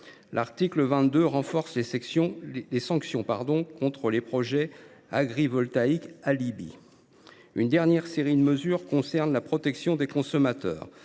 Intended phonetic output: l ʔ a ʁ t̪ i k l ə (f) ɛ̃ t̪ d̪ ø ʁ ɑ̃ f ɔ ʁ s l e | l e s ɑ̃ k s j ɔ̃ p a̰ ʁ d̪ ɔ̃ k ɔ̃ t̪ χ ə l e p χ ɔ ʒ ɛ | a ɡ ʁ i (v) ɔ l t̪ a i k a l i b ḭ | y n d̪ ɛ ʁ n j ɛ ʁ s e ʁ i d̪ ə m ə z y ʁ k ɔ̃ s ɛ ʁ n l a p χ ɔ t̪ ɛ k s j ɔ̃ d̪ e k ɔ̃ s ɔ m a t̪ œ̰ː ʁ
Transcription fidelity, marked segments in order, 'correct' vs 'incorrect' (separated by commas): incorrect, correct